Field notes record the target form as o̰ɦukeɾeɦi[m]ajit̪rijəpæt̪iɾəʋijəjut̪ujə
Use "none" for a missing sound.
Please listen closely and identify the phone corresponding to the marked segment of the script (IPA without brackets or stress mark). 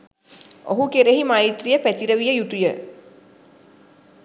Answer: m